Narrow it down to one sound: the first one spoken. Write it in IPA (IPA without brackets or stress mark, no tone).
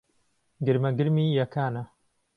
ɡ